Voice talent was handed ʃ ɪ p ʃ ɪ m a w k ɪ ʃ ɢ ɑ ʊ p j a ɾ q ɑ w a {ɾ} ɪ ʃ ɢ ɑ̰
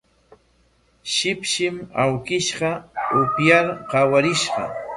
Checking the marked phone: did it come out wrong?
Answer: no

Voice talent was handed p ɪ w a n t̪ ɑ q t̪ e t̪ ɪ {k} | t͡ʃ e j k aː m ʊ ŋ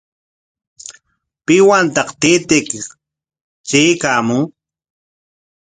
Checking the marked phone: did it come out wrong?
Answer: no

